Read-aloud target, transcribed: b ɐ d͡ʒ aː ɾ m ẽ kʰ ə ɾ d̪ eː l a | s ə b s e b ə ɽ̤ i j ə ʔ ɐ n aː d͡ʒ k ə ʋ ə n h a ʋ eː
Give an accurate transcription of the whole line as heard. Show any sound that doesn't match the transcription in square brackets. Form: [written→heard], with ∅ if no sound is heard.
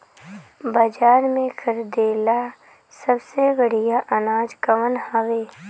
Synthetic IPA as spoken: b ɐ d͡ʒ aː ɾ m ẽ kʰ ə ɾ d̪ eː l a | s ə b s e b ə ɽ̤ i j [ə→a] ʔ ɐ n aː d͡ʒ k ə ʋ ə n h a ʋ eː